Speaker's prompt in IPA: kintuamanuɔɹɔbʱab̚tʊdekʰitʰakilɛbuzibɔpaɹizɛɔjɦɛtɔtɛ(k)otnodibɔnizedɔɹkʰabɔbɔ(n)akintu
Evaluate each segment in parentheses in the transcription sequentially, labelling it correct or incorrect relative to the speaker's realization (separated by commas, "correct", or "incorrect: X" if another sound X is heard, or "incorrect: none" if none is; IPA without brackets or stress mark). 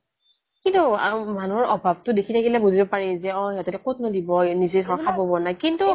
correct, correct